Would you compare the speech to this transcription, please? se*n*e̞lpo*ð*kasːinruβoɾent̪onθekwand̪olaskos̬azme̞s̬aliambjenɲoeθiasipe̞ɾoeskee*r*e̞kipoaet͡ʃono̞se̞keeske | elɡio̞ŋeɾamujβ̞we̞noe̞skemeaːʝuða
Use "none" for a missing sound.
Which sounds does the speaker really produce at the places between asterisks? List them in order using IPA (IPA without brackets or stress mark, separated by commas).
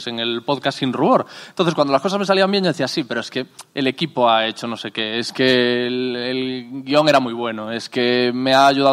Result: ŋ, ð, l